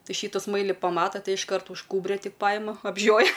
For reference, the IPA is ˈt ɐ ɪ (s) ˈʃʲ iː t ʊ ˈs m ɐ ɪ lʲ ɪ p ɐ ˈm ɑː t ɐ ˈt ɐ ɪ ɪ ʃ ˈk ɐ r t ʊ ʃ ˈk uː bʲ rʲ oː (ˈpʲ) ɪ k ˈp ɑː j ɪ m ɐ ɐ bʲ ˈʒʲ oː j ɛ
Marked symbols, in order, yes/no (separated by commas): no, no